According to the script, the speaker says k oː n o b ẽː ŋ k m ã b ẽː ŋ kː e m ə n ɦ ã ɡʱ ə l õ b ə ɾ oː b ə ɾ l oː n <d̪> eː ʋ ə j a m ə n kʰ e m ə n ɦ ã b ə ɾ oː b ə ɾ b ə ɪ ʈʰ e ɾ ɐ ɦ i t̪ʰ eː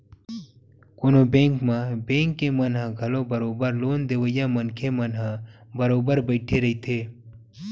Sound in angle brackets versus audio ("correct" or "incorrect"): correct